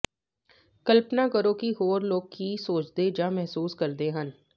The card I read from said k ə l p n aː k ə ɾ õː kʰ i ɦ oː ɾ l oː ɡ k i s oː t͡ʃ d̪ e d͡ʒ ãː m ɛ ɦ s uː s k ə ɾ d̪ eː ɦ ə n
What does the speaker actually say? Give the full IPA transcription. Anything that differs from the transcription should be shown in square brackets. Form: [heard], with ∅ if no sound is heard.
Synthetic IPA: k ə l p n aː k ə ɾ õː [k] i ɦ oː ɾ l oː ɡ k i s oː t͡ʃ d̪ e d͡ʒ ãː m ɛ ɦ s uː s k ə ɾ d̪ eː ɦ ə n

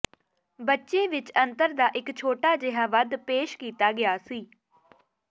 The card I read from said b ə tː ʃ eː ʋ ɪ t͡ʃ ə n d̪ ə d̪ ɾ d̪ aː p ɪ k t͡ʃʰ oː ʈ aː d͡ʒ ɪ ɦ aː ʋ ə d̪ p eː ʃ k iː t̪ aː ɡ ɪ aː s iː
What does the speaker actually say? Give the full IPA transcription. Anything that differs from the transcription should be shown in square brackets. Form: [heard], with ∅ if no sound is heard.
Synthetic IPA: b ə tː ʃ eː ʋ ɪ t͡ʃ ə n [t̪] ə [∅] ɾ d̪ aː [ʔ] ɪ k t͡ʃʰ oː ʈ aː d͡ʒ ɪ ɦ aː ʋ ə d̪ p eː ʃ k iː t̪ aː ɡ ɪ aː s iː

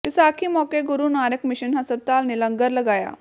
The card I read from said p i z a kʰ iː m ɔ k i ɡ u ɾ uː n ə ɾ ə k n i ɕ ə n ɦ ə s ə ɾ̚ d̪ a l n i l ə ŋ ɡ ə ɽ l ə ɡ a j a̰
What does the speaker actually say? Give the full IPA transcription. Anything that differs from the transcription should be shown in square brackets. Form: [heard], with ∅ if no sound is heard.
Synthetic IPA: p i [s] a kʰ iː m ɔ k [e] ɡ u ɾ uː n [a] ɾ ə k [m] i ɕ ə n ɦ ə s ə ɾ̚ [t̪] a l n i l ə ŋ ɡ ə [ɾ] l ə ɡ a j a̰

